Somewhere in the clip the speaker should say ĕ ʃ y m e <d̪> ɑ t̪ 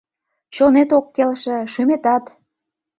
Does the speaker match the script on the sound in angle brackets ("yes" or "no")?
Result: no